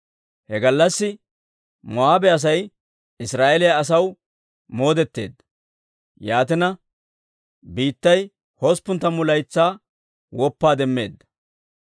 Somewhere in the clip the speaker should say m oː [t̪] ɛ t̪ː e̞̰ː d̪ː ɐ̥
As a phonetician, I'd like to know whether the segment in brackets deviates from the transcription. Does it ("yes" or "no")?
yes